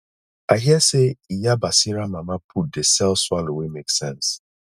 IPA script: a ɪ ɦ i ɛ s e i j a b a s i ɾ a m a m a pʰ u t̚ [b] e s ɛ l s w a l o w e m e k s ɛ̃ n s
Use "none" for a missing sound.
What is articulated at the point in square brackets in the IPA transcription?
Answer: d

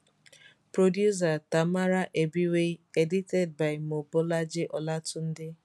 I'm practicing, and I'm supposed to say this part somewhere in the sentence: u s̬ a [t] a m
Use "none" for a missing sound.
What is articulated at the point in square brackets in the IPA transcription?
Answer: t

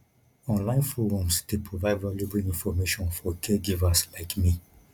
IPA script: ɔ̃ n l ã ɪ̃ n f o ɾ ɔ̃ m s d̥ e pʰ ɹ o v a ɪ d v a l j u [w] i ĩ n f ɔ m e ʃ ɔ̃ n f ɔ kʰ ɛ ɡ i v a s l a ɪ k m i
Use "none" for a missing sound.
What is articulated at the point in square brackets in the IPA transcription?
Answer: b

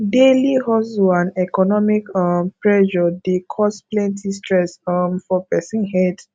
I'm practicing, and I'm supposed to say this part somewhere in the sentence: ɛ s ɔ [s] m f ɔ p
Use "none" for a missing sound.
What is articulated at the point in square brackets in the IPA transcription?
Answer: none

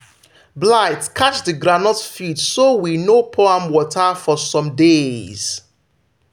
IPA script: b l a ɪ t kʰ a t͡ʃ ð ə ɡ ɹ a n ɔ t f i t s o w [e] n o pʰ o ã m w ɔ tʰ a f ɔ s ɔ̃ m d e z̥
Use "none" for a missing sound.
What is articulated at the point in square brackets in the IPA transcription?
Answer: i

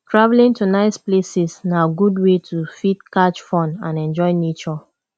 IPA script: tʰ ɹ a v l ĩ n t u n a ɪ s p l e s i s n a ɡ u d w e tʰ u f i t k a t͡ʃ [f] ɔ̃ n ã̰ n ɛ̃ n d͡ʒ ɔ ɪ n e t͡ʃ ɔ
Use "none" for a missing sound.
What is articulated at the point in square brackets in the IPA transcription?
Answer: f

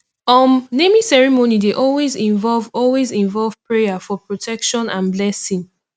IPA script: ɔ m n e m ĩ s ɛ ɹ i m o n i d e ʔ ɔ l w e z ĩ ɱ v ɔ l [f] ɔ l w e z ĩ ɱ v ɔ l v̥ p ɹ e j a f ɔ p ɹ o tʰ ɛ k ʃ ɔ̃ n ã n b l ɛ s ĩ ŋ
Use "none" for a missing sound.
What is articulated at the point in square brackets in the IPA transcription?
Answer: v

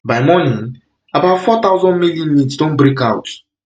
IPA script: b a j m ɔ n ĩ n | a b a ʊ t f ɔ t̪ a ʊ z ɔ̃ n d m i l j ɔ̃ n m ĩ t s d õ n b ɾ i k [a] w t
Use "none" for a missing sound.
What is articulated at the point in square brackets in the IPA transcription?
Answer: a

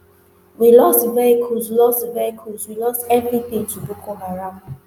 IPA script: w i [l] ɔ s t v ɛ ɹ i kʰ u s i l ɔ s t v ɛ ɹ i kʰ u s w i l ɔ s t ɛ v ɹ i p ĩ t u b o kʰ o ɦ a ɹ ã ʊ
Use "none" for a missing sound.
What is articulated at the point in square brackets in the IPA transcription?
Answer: l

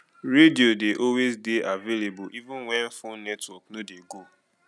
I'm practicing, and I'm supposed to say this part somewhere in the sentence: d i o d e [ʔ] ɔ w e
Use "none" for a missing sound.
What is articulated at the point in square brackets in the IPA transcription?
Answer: ʔ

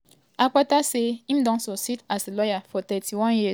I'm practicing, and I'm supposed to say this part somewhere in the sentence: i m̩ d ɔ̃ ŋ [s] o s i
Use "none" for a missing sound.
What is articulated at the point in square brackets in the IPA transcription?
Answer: s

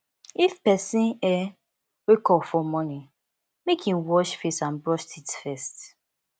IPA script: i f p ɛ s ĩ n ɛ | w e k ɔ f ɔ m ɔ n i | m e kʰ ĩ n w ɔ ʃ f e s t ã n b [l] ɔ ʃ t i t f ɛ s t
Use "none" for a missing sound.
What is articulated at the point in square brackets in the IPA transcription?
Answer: ɹ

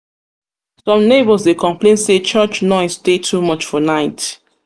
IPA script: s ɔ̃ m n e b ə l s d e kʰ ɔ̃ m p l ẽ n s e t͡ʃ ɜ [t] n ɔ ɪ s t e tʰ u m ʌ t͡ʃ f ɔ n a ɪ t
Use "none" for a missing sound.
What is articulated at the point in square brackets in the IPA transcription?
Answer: t͡ʃ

